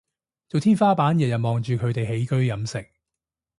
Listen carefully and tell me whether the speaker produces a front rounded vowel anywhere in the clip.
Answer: yes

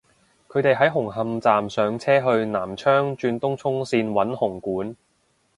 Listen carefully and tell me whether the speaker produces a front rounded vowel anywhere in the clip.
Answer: yes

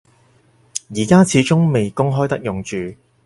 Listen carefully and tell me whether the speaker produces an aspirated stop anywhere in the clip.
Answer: yes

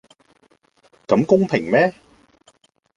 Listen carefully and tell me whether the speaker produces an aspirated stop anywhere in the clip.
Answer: yes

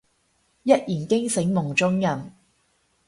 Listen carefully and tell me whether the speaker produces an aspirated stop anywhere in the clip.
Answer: no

